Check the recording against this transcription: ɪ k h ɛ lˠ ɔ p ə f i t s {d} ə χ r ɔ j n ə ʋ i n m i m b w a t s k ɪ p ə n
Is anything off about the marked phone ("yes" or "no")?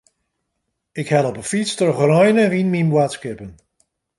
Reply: yes